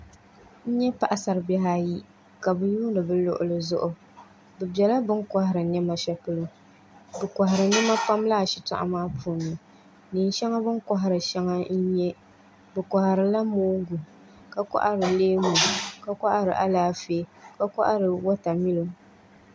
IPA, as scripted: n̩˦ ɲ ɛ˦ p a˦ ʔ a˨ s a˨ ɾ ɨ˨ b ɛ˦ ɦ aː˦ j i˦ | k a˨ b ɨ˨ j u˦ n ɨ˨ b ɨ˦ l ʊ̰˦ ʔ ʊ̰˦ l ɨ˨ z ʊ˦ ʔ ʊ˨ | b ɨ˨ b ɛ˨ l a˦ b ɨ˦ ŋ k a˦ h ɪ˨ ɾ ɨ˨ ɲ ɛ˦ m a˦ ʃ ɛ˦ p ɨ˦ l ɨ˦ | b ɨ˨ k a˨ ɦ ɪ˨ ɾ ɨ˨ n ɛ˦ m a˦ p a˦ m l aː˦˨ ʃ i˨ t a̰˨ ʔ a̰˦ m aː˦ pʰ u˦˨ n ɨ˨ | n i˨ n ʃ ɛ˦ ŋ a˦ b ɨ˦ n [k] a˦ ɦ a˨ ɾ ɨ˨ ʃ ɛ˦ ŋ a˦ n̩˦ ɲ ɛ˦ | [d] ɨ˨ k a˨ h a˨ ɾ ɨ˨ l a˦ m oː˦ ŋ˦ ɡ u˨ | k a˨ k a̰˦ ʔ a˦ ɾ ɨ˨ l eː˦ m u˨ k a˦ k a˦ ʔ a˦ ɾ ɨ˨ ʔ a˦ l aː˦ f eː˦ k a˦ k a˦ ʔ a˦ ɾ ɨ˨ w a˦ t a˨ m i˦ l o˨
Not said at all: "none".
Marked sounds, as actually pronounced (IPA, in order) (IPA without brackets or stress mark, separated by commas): k, b